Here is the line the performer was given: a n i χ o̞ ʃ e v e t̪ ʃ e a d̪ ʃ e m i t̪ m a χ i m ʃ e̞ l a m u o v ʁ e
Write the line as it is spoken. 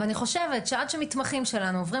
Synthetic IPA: a n i χ o̞ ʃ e v e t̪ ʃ e a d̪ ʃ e m i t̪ m a χ i m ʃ e̞ l a n u o v ʁ i